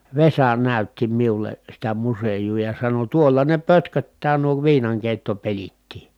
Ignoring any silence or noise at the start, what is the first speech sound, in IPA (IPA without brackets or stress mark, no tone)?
ʋ